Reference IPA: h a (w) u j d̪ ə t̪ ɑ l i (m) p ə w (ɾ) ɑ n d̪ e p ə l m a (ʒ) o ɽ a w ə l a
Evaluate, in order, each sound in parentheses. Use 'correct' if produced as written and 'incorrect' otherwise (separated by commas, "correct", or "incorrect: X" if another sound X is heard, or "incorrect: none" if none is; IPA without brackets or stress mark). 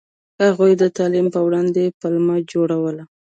incorrect: ɣ, correct, incorrect: ɽ, incorrect: d͡ʒ